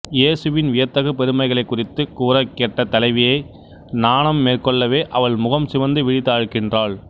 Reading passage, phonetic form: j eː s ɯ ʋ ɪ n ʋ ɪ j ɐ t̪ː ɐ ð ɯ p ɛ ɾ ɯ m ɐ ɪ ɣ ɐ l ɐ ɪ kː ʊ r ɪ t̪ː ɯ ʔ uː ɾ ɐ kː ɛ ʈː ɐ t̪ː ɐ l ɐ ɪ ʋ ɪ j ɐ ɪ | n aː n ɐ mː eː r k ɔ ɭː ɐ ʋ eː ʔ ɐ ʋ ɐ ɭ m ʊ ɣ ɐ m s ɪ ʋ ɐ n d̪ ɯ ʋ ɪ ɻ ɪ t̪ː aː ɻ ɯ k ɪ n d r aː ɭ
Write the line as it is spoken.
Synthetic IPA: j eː s ɯ ʋ ɪ n ʋ ɪ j ɐ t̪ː ɐ ɣ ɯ p ɛ ɾ ɯ m ɐ ɪ ɣ ɐ ɭ ɐ ɪ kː ʊ r ɪ t̪ː ɯ k uː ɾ ɐ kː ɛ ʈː ɐ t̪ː ɐ l ɐ ɪ ʋ ɪ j ɐ ɪ | n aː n ɐ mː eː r k ɔ ɭː ɐ ʋ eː ʔ ɐ ʋ ɐ ɭ m ʊ ɣ ɐ m s ɪ ʋ ɐ n d̪ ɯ ʋ ɪ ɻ ɪ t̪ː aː ɻ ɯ k ɪ n d r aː ɭ